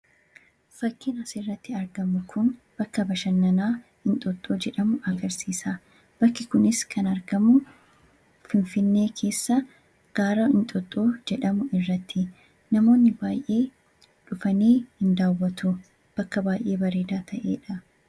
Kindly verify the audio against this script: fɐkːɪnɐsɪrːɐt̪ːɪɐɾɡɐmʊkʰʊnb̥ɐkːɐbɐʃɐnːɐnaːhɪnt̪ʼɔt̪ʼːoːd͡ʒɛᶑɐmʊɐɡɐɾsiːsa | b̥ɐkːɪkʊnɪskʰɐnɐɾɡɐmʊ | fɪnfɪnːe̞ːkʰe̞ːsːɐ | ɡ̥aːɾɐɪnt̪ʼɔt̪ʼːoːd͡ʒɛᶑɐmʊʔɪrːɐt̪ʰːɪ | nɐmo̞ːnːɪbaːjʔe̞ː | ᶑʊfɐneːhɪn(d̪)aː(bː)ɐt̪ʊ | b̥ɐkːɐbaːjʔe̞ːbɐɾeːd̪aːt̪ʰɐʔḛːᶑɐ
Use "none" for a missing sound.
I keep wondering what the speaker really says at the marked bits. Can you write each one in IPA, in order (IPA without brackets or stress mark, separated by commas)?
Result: d̪, wː